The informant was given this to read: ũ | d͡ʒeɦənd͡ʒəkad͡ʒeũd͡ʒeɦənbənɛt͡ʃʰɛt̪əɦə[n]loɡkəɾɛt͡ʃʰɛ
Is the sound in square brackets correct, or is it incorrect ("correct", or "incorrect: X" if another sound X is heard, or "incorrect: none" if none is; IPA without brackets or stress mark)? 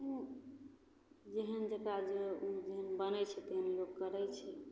correct